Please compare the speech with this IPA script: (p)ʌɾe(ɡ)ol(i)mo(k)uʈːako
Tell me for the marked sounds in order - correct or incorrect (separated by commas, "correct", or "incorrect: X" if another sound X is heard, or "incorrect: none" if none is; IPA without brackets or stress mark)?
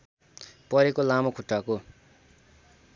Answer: correct, incorrect: k, incorrect: a, incorrect: kʰ